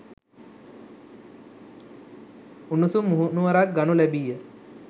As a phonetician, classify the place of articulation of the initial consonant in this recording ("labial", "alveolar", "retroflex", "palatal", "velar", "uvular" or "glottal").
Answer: alveolar